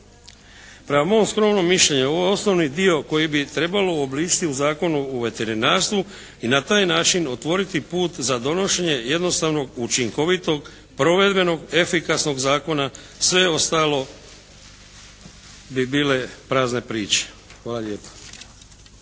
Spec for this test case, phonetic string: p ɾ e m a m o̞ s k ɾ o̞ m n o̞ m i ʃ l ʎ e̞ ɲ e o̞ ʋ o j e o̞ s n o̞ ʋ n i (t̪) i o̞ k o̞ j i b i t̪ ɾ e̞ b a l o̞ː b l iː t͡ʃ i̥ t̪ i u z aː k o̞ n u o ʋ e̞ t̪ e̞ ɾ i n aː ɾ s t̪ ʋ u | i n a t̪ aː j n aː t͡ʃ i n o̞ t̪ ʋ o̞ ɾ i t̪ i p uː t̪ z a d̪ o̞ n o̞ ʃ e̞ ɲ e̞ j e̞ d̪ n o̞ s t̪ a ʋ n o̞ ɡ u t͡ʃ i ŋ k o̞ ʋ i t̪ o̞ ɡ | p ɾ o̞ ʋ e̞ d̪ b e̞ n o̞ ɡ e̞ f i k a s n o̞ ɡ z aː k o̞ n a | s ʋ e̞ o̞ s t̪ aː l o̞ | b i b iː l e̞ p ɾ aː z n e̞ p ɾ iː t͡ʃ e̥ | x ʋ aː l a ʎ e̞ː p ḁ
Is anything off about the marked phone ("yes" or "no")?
yes